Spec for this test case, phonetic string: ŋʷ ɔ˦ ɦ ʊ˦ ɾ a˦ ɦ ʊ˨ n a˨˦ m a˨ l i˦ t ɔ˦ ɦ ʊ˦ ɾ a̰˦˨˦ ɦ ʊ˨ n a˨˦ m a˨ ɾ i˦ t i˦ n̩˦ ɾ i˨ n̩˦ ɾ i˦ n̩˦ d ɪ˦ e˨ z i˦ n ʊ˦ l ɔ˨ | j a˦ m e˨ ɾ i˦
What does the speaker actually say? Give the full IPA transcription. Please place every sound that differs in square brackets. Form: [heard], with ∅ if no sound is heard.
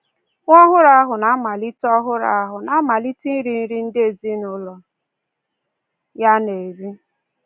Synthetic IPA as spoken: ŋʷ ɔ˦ ɦ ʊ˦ ɾ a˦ ɦ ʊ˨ n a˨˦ m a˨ l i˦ t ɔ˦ ɦ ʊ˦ ɾ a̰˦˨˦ ɦ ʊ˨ n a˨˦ m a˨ [l] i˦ t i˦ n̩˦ ɾ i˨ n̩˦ ɾ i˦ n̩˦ d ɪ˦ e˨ z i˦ n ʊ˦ l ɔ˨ | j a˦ [n] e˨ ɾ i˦